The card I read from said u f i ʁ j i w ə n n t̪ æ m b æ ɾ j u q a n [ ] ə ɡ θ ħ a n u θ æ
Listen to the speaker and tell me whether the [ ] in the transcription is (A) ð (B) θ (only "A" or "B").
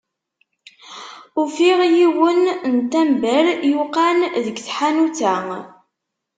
A